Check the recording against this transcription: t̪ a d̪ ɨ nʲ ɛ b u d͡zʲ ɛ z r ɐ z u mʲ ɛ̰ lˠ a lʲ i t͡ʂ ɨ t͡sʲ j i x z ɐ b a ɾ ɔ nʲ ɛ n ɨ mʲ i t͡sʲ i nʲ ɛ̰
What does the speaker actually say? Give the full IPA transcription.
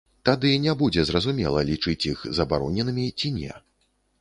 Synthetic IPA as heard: t̪ a d̪ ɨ nʲ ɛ b u d͡zʲ ɛ z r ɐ z u mʲ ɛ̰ lˠ ɐ lʲ i t͡ʂ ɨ t͡sʲ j i x z ɐ b a ɾ ɔ nʲ ɛ n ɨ mʲ i t͡sʲ i nʲ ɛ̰